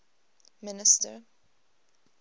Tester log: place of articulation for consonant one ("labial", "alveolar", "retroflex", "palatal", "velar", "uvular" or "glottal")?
labial